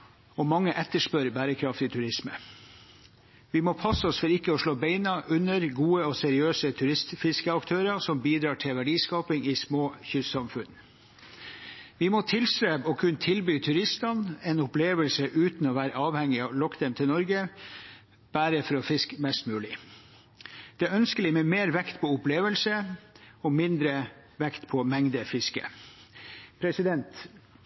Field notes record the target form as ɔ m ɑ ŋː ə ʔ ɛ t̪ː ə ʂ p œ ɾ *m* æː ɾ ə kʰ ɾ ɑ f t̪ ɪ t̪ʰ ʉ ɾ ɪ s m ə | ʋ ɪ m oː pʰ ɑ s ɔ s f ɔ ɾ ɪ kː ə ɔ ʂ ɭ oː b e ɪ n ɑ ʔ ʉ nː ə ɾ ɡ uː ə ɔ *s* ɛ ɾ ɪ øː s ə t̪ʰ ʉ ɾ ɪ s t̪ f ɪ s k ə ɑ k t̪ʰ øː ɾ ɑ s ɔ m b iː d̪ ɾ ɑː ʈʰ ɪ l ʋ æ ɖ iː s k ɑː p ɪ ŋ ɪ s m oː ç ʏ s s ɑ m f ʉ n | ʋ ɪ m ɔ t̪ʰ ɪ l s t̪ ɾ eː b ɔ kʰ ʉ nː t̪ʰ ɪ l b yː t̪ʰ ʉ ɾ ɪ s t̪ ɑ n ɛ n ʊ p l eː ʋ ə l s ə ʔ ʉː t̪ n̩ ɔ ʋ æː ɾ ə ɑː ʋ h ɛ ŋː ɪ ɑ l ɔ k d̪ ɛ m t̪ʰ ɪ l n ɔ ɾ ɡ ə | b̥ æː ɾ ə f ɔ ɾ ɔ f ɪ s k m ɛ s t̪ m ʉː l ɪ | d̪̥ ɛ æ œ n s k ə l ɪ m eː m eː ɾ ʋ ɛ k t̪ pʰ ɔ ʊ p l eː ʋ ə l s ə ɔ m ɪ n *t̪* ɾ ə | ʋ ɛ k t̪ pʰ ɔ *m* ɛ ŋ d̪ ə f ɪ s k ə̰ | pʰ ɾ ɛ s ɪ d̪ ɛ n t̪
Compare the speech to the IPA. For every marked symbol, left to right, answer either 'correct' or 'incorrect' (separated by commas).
incorrect, correct, incorrect, correct